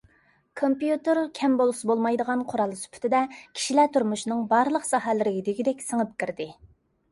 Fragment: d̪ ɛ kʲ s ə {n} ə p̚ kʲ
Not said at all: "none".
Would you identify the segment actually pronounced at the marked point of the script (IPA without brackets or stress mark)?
ŋ